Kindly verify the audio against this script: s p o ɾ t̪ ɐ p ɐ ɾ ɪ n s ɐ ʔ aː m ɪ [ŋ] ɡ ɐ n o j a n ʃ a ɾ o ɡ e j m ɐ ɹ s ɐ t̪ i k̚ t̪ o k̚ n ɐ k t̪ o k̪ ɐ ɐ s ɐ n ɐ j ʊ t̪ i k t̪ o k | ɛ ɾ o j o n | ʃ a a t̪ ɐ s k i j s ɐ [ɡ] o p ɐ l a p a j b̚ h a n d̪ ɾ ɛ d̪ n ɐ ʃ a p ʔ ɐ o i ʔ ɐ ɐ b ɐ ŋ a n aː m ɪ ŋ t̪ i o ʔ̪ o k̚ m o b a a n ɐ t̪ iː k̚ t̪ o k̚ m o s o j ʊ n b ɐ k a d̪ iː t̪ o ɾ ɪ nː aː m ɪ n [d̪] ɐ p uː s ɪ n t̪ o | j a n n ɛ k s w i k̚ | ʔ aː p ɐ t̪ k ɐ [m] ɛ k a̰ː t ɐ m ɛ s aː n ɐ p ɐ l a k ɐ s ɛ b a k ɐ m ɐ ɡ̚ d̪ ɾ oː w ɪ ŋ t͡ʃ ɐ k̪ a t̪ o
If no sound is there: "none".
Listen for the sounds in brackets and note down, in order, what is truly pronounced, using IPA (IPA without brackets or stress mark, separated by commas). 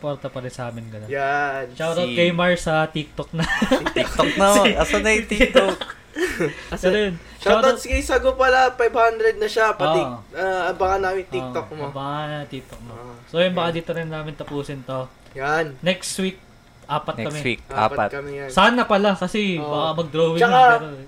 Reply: n, ɡ, t̪, m